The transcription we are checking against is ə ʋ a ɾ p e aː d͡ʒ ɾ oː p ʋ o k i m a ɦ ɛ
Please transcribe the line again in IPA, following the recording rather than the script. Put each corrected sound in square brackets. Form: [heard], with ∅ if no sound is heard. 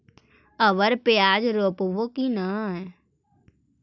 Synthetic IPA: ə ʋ [ə] ɾ p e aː d͡ʒ ɾ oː p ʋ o k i [n] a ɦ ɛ